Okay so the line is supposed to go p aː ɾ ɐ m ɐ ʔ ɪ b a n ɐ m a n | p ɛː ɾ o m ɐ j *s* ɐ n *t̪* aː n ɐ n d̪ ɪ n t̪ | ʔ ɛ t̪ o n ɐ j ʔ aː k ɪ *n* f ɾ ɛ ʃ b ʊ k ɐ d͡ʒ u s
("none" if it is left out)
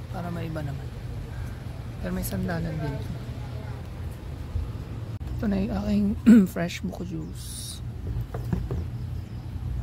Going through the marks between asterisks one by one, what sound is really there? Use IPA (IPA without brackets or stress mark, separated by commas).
s, d̪, ŋ